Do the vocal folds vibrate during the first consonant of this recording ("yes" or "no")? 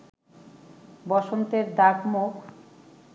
yes